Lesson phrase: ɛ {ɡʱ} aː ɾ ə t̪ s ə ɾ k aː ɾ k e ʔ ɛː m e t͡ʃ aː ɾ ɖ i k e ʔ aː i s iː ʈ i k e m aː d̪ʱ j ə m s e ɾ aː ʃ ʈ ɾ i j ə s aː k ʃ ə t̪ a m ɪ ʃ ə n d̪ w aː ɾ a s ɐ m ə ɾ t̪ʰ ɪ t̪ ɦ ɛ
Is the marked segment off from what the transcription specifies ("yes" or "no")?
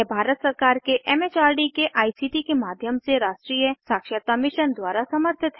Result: yes